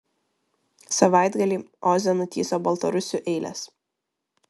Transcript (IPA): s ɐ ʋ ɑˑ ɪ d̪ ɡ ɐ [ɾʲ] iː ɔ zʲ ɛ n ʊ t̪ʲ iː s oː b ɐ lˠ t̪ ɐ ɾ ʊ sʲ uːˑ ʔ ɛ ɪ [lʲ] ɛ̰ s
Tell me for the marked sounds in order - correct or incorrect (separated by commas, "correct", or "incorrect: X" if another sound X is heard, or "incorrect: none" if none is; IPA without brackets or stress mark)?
incorrect: lʲ, correct